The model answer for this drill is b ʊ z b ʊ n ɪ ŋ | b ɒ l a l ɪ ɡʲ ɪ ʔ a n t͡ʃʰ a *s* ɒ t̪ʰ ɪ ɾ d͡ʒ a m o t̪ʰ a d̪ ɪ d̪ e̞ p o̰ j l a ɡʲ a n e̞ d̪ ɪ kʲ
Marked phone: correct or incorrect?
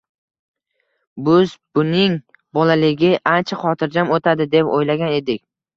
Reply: incorrect